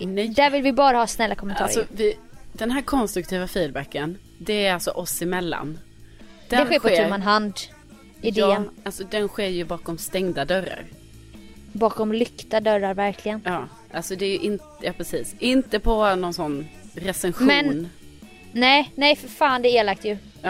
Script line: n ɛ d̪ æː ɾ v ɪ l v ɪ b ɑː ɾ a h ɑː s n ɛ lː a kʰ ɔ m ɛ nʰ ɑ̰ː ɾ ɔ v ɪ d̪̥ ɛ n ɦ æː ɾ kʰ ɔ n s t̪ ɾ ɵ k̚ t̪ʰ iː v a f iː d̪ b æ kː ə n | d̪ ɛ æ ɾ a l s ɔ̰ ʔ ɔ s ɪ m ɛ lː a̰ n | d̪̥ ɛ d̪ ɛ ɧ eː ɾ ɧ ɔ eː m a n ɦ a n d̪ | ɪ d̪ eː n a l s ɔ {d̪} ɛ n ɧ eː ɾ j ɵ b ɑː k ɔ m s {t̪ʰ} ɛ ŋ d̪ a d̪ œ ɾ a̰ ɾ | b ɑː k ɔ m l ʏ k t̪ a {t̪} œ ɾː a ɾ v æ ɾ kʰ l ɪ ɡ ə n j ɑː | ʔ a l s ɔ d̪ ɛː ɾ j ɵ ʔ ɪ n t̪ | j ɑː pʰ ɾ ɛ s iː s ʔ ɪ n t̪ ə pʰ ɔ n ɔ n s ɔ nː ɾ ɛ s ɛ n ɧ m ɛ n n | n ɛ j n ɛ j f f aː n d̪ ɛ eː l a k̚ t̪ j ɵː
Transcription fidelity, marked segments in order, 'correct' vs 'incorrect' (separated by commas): correct, incorrect, incorrect